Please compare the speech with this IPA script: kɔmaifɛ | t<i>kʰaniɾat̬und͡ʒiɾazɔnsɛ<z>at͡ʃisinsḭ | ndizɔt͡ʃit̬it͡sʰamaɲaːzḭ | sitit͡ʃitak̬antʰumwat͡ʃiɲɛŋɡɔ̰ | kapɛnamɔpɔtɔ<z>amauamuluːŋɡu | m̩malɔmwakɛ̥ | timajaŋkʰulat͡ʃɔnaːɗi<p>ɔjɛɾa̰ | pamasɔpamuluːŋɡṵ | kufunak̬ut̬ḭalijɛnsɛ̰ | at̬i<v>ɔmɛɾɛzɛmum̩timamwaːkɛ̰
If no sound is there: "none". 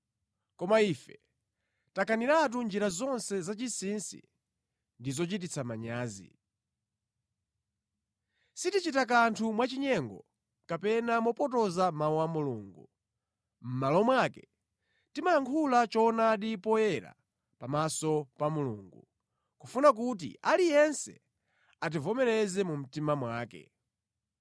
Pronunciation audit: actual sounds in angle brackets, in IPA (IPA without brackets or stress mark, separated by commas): a, z, z, p, v